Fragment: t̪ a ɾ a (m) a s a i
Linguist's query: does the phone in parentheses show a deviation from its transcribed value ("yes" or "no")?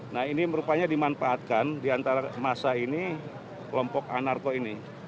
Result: no